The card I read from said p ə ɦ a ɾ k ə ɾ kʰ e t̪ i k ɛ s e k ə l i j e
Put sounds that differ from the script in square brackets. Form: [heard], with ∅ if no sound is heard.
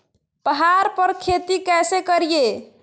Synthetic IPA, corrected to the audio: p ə ɦ a ɾ [p] ə ɾ kʰ e t̪ i k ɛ s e k ə [ɾ] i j e